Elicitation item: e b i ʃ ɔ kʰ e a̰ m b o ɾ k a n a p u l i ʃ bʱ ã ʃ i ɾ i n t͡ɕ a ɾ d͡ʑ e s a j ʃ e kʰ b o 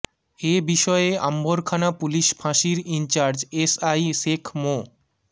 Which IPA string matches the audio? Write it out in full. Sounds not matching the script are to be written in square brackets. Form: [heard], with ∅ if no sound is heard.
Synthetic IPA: e b i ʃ ɔ [∅] e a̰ m b o ɾ [kʰ] a n a p u l i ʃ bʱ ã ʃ i ɾ i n t͡ɕ a ɾ d͡ʑ e s a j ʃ e kʰ [m] o